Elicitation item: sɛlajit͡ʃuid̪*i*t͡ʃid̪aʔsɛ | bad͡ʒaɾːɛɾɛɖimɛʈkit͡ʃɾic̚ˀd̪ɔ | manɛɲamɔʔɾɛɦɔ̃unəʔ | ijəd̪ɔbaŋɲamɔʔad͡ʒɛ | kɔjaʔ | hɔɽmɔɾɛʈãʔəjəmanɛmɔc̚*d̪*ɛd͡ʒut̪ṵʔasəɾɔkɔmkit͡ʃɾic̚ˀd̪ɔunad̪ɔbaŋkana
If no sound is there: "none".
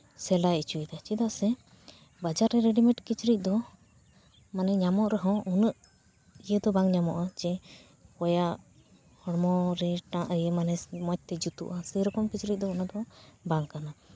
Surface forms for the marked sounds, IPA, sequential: a, t̪

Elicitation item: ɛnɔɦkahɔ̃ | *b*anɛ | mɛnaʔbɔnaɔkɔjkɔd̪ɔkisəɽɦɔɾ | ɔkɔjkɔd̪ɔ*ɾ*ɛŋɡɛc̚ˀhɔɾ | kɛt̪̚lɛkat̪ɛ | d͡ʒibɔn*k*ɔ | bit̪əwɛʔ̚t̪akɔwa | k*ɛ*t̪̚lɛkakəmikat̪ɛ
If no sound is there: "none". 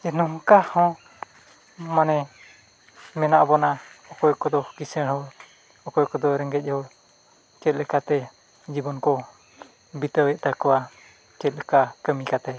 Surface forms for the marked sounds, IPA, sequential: m, ɾ, k, ɛ

